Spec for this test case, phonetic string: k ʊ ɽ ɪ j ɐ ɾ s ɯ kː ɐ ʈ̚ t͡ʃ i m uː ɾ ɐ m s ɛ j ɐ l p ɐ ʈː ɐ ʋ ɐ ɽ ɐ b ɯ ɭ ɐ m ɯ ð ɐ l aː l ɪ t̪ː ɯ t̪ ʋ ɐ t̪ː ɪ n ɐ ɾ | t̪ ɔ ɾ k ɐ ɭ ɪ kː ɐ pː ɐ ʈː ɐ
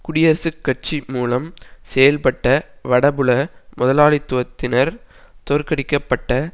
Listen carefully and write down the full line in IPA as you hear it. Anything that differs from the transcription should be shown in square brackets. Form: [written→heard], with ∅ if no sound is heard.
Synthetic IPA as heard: k ʊ ɽ ɪ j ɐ ɾ s ɯ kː ɐ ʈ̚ t͡ʃ i m uː [ɾ→l] ɐ m s ɛ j ɐ l p ɐ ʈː ɐ ʋ ɐ ɽ ɐ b ɯ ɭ ɐ m [ɯ→ʊ] ð ɐ l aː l ɪ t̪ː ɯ [t̪→∅] ʋ ɐ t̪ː ɪ n ɐ ɾ | t̪ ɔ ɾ k ɐ [ɭ→ɽ] ɪ kː ɐ pː ɐ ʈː ɐ

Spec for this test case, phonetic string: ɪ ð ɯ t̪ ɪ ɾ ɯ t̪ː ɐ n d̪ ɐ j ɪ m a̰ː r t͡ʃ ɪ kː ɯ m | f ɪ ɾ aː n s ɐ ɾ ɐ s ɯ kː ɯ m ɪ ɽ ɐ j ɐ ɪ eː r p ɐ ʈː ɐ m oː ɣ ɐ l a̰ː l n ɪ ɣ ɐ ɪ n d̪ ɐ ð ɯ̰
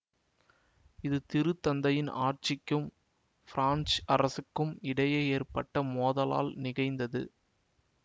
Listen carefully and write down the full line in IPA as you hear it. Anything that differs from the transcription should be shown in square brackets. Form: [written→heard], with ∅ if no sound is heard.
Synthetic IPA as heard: ɪ ð ɯ t̪ ɪ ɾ ɯ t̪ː ɐ n d̪ ɐ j ɪ [m→n] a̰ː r t͡ʃ ɪ kː ɯ m | f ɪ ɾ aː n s ɐ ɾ ɐ s ɯ kː ɯ m ɪ ɽ ɐ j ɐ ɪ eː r p ɐ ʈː ɐ m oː [ɣ→ð] ɐ l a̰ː l n ɪ ɣ ɐ ɪ n d̪ ɐ ð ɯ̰

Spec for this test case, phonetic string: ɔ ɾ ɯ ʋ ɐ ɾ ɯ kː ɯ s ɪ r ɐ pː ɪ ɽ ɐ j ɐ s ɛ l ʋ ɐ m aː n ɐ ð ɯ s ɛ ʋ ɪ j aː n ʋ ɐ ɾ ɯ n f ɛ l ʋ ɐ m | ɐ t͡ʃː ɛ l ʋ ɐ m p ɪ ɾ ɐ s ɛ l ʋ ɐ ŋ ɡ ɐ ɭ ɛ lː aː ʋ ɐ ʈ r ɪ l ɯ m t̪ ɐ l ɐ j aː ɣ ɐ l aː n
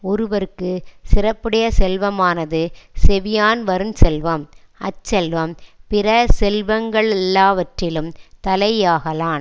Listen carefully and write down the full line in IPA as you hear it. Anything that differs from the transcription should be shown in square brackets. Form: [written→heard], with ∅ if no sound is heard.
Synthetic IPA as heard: ɔ ɾ ɯ ʋ ɐ ɾ ɯ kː ɯ s ɪ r ɐ pː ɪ ɽ ɐ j ɐ s ɛ l ʋ ɐ m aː n ɐ ð ɯ s ɛ ʋ ɪ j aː n ʋ ɐ ɾ ɯ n [f→s] ɛ l ʋ ɐ m | ɐ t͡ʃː ɛ l ʋ ɐ m p ɪ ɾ ɐ s ɛ l ʋ ɐ ŋ ɡ ɐ ɭ ɛ lː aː ʋ ɐ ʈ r ɪ l ɯ m t̪ ɐ l ɐ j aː ɣ ɐ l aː n

